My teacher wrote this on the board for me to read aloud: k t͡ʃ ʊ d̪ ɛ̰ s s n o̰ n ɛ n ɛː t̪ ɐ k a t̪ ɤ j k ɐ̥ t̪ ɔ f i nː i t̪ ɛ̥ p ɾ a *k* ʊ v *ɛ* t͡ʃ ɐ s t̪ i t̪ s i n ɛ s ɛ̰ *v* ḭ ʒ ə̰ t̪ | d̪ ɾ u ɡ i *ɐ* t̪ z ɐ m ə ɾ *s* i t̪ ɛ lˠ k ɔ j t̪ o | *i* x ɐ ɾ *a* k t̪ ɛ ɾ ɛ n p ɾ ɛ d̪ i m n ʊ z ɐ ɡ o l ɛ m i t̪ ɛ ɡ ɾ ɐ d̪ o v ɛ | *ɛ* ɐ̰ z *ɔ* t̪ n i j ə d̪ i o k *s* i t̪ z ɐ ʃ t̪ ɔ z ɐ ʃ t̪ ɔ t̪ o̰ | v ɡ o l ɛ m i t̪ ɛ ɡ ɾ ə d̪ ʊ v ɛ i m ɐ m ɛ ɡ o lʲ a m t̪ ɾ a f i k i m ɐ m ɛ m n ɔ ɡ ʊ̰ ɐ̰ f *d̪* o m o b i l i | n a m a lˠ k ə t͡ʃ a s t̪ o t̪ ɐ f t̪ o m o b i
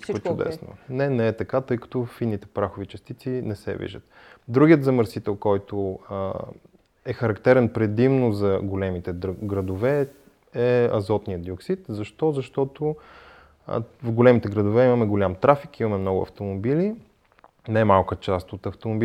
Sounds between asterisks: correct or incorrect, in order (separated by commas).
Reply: incorrect, incorrect, correct, incorrect, correct, incorrect, incorrect, correct, correct, correct, incorrect